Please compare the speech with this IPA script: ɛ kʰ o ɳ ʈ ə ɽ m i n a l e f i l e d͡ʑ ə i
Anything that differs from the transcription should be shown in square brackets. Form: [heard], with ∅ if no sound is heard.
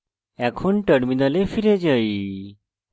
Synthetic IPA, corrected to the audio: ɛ kʰ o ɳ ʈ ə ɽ m i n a l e f i [ɾ] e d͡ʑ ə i